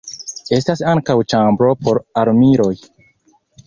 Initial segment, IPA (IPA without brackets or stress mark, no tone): e̞